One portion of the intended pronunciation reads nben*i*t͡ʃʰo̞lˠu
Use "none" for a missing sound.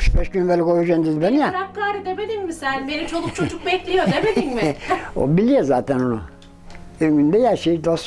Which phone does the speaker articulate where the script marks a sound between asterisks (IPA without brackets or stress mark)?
i